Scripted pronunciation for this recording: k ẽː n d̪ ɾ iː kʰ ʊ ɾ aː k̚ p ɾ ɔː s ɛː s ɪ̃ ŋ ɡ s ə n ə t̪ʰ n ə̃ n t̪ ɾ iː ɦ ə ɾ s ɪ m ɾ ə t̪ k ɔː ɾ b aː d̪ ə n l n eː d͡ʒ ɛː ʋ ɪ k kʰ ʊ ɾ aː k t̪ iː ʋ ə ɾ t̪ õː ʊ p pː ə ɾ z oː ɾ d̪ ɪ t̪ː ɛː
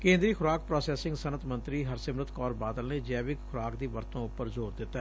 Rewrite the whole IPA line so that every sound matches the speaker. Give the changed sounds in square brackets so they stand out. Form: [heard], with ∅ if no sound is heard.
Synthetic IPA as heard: k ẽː n d̪ ɾ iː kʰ ʊ ɾ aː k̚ p ɾ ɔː s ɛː s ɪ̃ ŋ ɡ s ə n ə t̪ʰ [m] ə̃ n t̪ ɾ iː ɦ ə ɾ s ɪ m ɾ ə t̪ k ɔː ɾ b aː d̪ ə [∅] l n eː d͡ʒ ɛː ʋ ɪ k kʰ ʊ ɾ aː k [d̪] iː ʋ ə ɾ t̪ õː ʊ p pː ə ɾ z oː ɾ d̪ ɪ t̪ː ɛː